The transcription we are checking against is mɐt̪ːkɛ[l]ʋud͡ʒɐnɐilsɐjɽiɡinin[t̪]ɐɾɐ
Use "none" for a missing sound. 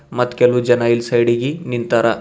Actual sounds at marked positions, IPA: l, t̪

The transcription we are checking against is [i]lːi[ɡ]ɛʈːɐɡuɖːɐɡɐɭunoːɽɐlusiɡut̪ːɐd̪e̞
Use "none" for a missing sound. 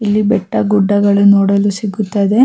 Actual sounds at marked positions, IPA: i, b

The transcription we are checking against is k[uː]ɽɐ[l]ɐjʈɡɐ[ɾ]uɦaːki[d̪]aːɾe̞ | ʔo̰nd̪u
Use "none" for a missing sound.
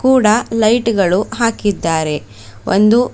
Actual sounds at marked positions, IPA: uː, l, ɭ, d̪ː

